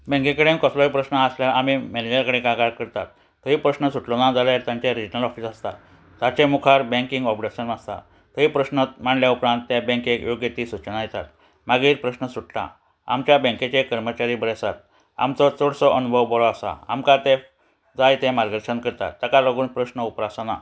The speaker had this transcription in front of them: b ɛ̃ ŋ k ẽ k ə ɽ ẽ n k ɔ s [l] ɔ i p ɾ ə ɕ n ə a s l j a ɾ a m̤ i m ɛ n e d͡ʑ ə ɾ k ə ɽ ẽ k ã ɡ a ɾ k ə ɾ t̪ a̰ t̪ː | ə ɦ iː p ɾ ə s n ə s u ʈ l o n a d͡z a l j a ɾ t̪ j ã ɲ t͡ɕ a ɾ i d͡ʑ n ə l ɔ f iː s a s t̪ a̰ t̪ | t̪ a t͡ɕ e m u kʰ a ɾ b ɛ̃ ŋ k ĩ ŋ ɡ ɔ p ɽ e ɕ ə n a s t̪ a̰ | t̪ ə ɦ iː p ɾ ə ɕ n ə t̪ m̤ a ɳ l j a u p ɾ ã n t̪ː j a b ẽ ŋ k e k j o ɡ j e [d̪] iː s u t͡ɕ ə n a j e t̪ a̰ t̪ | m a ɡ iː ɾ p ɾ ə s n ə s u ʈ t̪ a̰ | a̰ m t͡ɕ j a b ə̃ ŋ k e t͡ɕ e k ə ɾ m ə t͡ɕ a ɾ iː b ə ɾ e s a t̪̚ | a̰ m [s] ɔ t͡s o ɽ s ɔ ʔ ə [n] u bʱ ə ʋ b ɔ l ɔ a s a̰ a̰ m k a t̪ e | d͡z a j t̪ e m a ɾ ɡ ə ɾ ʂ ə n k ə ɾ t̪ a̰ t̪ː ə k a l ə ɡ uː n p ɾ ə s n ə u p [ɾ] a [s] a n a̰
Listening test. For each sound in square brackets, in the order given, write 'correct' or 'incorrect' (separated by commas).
correct, incorrect, incorrect, correct, correct, correct